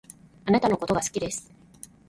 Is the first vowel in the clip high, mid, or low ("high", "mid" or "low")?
low